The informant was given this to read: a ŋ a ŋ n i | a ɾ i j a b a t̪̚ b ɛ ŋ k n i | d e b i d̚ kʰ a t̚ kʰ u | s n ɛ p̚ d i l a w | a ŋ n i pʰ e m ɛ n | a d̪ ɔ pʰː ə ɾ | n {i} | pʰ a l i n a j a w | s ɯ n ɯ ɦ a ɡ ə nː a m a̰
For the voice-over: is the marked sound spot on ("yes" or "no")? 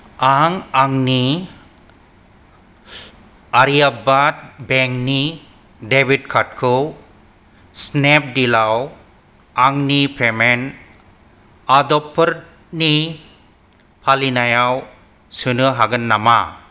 yes